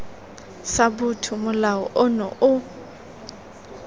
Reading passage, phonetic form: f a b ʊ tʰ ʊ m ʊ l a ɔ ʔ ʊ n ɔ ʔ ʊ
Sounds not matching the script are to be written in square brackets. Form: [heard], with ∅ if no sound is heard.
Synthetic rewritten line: [s] a b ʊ tʰ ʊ m ʊ l a ɔ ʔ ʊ n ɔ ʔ ʊ